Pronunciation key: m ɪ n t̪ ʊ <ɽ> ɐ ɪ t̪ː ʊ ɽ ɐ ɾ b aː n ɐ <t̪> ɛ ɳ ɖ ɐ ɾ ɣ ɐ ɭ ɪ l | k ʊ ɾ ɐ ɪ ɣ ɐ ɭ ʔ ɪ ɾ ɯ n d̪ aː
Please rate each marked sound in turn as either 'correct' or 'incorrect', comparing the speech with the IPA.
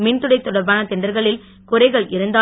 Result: correct, correct

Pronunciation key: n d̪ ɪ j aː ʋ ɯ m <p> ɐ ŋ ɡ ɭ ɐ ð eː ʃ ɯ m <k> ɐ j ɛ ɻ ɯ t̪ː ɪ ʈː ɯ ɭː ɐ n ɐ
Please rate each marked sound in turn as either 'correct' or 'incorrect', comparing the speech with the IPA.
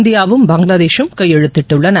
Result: incorrect, correct

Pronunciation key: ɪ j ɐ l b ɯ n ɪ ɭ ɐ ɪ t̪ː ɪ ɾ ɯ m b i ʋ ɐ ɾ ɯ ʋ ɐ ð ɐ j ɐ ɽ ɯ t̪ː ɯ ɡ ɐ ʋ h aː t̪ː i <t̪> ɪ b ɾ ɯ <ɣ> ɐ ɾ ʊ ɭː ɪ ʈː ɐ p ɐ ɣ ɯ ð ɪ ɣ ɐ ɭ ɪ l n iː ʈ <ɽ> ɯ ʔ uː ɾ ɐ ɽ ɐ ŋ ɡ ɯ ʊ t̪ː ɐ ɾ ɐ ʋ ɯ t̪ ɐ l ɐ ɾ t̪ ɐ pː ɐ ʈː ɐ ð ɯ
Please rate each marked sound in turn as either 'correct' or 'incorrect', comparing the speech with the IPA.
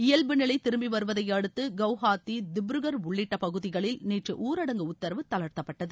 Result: incorrect, correct, incorrect

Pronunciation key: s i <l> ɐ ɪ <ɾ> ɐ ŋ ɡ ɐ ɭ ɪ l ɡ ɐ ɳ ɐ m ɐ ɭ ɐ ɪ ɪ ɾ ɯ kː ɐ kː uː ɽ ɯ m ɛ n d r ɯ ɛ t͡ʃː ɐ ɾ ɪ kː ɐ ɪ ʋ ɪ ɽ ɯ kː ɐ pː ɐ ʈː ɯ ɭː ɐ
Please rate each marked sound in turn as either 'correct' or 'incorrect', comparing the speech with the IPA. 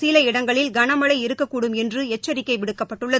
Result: correct, incorrect

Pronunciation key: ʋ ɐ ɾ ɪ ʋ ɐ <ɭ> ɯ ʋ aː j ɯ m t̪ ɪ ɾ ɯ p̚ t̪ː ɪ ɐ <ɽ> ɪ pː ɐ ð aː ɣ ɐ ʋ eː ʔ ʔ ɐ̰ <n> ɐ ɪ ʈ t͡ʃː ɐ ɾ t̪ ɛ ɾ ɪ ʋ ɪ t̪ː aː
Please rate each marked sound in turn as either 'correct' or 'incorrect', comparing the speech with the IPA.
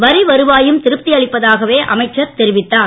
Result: incorrect, incorrect, incorrect

